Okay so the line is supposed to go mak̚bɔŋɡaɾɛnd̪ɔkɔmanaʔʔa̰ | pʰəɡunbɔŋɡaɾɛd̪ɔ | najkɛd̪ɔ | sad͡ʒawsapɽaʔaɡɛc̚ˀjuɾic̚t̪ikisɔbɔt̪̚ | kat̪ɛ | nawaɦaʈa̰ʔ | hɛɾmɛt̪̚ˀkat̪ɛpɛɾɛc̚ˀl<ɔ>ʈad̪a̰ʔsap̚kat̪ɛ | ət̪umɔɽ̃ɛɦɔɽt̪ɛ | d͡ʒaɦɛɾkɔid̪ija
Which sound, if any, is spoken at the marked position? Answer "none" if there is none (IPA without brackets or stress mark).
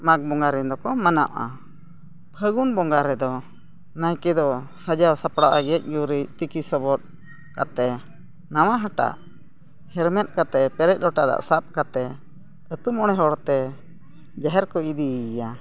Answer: ɔ